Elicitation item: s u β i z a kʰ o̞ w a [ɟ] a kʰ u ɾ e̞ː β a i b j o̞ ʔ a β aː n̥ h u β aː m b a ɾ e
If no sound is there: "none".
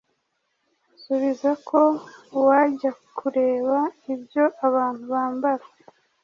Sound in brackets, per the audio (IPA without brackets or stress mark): ɟ